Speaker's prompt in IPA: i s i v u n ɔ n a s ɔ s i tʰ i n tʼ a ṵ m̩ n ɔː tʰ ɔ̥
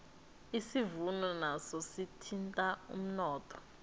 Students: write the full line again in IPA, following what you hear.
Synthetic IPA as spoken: i s i v u n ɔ n a s ɔ s i tʰ i n tʼ a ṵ m̩ n ɔː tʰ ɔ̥